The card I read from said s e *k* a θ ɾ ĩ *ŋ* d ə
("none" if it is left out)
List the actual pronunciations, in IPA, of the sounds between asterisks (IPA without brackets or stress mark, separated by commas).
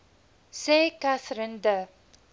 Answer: k, n